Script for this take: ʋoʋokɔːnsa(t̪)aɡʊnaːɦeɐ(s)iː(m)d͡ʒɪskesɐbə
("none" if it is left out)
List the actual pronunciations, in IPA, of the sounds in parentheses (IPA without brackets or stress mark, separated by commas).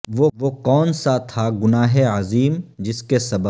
t̪ʰ, z, m